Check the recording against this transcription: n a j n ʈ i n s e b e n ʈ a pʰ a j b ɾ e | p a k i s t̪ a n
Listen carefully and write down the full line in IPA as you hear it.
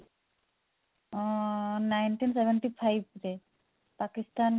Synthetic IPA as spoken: n a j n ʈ i n s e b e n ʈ i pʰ a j b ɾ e | p a k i s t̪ a n